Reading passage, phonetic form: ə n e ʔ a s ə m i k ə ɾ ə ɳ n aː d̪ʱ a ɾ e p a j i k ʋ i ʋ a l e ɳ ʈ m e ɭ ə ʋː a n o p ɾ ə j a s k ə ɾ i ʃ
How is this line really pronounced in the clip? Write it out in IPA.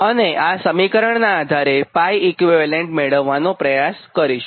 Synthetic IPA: ə n e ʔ a s ə m i k ə ɾ ə ɳ n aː d̪ʱ a ɾ e p a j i k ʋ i ʋ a l e ɳ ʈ m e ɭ ə ʋː a n o p ɾ ə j a s k ə ɾ i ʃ